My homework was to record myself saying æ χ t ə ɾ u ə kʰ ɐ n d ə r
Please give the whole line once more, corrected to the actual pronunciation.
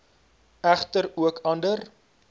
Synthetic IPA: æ χ t ə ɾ u ə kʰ ɐ n d ə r